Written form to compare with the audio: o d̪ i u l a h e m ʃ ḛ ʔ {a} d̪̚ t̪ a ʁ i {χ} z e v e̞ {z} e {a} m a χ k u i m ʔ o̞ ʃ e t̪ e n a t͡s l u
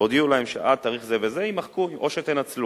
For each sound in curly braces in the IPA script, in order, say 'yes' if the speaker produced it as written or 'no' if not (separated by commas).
yes, yes, yes, no